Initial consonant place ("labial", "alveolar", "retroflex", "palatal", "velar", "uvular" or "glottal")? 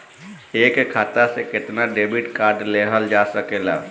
velar